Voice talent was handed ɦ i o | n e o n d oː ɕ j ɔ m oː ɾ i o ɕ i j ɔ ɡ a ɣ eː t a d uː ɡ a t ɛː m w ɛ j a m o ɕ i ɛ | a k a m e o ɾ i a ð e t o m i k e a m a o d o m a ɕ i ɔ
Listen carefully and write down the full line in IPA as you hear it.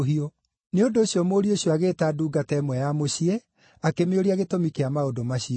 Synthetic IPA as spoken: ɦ i o | n e o n d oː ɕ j ɔ m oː ɾ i o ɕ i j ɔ a ɣ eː t a d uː ɡ a t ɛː m w ɛ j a m o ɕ i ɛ | a k e m e o ɾ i a ɣ e t o m i k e a m a o d o m a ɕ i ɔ